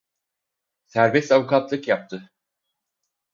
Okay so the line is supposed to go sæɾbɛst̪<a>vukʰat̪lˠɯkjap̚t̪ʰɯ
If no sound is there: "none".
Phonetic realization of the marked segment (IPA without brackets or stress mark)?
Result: a